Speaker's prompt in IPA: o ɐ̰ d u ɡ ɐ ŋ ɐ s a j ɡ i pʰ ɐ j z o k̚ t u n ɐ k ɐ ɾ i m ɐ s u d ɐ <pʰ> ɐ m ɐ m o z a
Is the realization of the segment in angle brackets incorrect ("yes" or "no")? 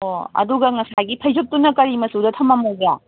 yes